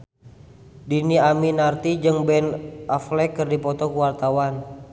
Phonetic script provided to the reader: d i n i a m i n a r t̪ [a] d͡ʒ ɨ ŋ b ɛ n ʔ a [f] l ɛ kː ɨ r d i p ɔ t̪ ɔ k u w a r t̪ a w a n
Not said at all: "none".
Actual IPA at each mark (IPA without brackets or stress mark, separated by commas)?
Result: i, f